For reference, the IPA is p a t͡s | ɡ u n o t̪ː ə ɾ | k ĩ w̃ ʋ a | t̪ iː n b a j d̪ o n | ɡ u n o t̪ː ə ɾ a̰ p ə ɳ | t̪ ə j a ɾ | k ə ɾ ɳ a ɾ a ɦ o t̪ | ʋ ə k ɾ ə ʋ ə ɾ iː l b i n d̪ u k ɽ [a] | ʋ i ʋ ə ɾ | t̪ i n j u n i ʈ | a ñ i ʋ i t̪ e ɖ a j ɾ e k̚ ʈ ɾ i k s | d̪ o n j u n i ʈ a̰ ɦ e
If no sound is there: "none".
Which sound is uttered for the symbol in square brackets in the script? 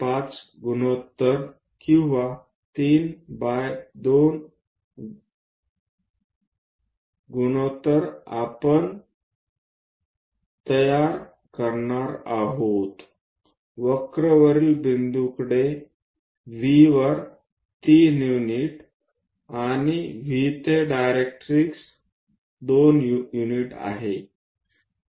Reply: e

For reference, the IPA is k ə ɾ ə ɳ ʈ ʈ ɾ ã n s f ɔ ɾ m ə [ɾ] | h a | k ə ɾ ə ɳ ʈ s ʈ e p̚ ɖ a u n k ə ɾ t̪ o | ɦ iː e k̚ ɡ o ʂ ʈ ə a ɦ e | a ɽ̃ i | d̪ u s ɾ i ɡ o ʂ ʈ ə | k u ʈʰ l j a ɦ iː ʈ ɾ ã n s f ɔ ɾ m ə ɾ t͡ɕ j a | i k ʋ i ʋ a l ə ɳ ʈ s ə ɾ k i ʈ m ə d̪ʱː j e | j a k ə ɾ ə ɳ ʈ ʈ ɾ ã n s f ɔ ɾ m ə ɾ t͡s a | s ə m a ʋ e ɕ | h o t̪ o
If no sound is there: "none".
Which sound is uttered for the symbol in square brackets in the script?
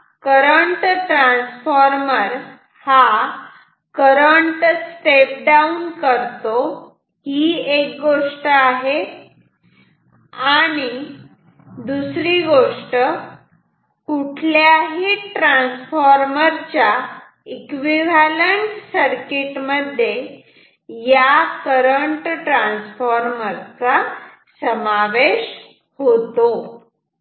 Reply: ɾ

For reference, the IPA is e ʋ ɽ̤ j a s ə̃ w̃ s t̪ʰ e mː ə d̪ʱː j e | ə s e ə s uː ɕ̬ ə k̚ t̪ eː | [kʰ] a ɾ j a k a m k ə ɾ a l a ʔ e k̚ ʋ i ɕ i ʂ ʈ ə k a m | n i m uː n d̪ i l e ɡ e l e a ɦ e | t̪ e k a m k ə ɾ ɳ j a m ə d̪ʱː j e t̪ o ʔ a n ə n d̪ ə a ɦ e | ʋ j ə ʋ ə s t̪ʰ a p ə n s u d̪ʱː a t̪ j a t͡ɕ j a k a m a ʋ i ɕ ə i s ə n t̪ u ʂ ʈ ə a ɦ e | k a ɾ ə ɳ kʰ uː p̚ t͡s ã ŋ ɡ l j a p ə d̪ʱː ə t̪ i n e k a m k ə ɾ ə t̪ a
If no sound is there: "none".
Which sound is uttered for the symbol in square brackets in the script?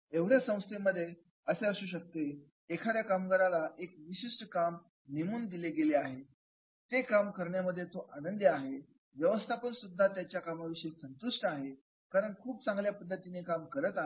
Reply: kʰ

